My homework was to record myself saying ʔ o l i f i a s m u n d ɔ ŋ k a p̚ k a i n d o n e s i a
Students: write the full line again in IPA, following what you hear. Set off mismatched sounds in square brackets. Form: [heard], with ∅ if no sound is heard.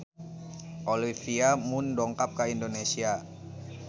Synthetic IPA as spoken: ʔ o l i f i a [∅] m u n d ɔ ŋ k a p̚ k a i n d o n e s i a

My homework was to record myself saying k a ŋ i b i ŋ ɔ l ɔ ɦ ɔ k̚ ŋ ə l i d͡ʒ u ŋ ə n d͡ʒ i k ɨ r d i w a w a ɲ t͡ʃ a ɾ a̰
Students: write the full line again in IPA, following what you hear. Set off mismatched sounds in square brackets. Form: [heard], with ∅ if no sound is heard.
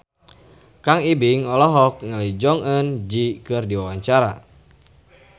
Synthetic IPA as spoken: k a ŋ i b i ŋ ɔ l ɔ ɦ ɔ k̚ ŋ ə l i d͡ʒ [ɔ] ŋ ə n d͡ʒ i k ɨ r d i w a w a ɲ t͡ʃ a ɾ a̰

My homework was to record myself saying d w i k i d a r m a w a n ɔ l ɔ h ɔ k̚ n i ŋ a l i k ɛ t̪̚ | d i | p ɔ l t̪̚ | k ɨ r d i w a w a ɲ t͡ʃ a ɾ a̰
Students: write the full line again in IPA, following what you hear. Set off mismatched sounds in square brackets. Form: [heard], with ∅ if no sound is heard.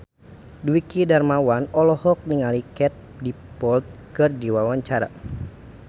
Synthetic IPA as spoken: d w i k i d a r m a w a n ɔ l ɔ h ɔ k̚ n i ŋ a l i k ɛ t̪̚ | d i | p ɔ l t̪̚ | k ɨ r d i w a w a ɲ t͡ʃ a ɾ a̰

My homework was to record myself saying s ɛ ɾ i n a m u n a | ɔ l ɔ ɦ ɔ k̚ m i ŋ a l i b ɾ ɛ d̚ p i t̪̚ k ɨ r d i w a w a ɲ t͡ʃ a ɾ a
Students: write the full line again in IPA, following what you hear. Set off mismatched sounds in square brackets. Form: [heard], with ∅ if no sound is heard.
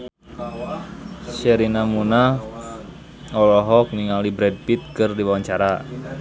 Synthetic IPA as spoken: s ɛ ɾ i n a m u n a | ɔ l ɔ ɦ ɔ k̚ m i ŋ a l i b ɾ ɛ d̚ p i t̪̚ k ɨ r d i w a w a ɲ t͡ʃ a ɾ a

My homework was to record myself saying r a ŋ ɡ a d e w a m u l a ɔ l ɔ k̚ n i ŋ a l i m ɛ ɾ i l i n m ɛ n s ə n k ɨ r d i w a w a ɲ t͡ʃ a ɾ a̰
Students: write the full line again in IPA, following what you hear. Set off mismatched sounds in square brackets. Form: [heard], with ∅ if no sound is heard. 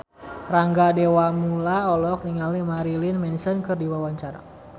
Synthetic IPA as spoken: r a ŋ ɡ a d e w a m u l a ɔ l ɔ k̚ n i ŋ a l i m [a] ɾ i l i n m ɛ n s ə n k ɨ r d i w a w a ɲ t͡ʃ a ɾ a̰

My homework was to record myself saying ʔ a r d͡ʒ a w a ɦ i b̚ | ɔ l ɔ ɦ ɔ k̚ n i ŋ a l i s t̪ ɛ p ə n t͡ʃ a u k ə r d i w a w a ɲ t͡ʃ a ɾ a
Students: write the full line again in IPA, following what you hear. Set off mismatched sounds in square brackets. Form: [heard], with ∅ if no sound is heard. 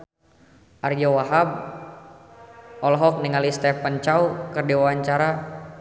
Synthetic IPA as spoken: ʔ a r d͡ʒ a w a ɦ [a] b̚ | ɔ l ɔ ɦ ɔ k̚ n i ŋ a l i s t̪ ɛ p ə n t͡ʃ a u k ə r d i w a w a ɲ t͡ʃ a ɾ a

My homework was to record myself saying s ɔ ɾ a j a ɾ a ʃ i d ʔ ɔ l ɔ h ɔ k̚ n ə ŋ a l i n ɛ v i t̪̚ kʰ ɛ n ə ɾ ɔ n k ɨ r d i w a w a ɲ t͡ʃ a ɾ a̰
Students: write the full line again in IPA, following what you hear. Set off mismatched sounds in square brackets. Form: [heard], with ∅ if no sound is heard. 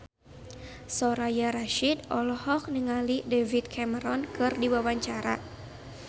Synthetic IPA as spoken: s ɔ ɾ a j a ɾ a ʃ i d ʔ ɔ l ɔ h ɔ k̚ n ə ŋ a l i [d] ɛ v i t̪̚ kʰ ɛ [m] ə ɾ ɔ n k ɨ r d i w a w a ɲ t͡ʃ a ɾ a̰

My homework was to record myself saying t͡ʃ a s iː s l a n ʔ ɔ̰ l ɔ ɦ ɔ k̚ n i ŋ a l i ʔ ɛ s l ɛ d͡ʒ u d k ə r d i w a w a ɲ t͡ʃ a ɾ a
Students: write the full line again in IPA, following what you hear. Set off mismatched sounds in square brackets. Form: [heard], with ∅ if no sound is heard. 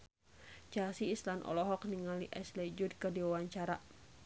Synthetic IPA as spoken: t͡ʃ a s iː s l a n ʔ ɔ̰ l ɔ ɦ ɔ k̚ n i ŋ a l i ʔ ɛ s l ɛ d͡ʒ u d k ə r d i w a w a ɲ t͡ʃ a ɾ a

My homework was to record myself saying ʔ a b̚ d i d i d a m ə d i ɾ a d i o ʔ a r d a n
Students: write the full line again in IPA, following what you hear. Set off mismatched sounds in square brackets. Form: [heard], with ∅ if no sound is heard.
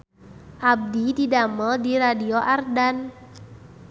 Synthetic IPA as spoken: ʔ a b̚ d i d i d a m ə d i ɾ a d i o ʔ a r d a n

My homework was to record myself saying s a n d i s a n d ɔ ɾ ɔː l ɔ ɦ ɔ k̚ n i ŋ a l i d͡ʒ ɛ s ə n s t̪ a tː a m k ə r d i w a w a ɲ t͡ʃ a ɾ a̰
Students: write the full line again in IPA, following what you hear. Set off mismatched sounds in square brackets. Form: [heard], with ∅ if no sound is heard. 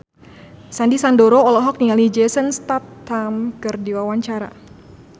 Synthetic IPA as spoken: s a n d i s a n d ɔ ɾ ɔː l ɔ ɦ ɔ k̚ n i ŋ a l i d͡ʒ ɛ s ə n s t̪ a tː a m k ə r d i w a w a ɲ t͡ʃ a ɾ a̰

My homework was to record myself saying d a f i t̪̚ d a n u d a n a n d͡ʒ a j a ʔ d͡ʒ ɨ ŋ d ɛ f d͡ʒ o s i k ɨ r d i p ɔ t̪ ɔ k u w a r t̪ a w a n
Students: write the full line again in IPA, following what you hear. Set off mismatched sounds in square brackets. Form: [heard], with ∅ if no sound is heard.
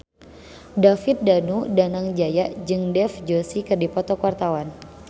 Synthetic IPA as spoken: d a f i t̪̚ d a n u d a n a [ŋ] d͡ʒ a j a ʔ d͡ʒ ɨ ŋ d ɛ f d͡ʒ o s i k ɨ r d i p ɔ t̪ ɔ k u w a r t̪ a w a n

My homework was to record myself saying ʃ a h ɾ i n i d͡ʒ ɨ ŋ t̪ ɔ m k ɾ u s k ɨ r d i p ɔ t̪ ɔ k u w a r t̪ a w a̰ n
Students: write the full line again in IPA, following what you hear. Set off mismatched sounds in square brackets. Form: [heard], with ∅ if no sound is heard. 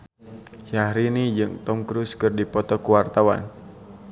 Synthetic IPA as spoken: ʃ a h ɾ i n i d͡ʒ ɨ ŋ t̪ ɔ m k ɾ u s k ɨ r d i p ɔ t̪ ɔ k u w a r t̪ a w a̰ n

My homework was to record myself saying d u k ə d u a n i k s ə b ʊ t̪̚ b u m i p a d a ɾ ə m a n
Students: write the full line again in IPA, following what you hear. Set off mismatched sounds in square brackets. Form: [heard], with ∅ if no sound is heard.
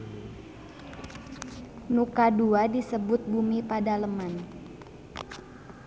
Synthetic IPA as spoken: [n] u k [a] d u a [d] i [∅] s ə b ʊ t̪̚ b u m i p a d a [l] ə m a n

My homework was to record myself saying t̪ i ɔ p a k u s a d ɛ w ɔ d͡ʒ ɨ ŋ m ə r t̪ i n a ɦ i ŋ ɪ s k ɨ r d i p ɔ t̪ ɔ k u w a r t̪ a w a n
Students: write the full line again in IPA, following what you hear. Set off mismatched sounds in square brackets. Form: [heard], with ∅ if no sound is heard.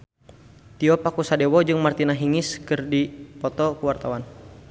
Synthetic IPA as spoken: t̪ i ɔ p a k u s a d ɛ w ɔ d͡ʒ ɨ ŋ m [a] r t̪ i n a ɦ i ŋ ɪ s k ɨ r d i p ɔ t̪ ɔ k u w a r t̪ a w a n

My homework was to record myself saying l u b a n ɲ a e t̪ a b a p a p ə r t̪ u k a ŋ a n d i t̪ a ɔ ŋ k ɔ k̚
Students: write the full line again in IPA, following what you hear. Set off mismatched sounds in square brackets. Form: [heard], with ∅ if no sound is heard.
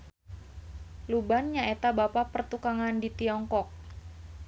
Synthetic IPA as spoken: l u b a n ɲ a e t̪ a b a p a p ə r t̪ u k a ŋ a n d i t̪ [i] ɔ ŋ k ɔ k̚

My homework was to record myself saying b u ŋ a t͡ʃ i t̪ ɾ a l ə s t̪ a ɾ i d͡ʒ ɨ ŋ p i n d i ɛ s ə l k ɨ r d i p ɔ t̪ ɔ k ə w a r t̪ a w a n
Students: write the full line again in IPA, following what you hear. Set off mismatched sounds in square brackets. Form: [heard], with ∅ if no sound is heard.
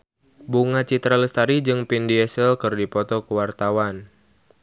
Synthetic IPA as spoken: b u ŋ a t͡ʃ i t̪ ɾ a l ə s t̪ a ɾ i d͡ʒ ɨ ŋ p i n d i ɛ s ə l k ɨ r d i p ɔ t̪ ɔ k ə w a r t̪ a w a n

